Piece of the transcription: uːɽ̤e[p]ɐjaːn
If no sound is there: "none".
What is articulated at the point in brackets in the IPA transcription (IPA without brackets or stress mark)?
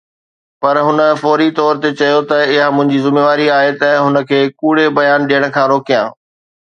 b